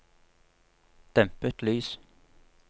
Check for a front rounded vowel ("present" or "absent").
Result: present